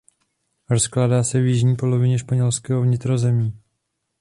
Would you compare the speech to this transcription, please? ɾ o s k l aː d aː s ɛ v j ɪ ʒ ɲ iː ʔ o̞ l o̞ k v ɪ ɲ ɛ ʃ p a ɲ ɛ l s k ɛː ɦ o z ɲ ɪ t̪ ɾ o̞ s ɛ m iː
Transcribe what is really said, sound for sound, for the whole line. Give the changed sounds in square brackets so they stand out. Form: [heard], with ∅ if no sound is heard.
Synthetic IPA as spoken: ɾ o s k l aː d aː s ɛ v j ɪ ʒ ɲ iː [p] o̞ l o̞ [∅] v ɪ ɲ ɛ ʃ p a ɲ ɛ l s k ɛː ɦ o [v] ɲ ɪ t̪ ɾ o̞ [z] ɛ m iː